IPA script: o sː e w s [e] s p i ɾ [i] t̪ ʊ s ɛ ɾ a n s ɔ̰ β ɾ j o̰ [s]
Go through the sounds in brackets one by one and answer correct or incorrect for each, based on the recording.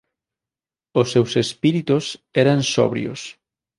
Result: correct, correct, correct

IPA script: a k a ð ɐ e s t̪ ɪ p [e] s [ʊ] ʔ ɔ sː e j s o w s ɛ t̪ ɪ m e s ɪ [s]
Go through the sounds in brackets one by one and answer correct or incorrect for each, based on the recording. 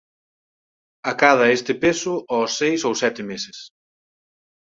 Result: correct, correct, correct

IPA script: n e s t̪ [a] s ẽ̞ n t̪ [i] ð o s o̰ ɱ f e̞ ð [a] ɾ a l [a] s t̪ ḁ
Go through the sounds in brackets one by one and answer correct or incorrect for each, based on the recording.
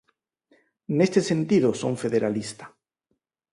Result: incorrect: e, correct, incorrect: e, incorrect: i

